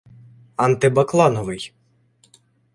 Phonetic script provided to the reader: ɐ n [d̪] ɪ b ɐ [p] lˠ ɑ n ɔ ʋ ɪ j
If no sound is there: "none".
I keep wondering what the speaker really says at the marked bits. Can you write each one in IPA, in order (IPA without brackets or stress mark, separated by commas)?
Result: t̪, k